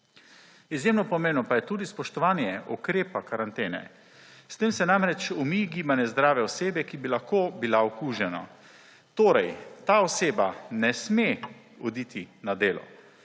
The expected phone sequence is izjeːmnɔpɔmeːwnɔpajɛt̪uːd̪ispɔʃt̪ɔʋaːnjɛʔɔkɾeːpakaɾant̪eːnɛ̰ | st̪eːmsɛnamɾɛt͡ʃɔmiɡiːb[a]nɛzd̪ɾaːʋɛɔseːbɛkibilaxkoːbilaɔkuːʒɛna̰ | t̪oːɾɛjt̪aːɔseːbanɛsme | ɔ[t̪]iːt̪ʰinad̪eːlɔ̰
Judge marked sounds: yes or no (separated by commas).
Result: yes, no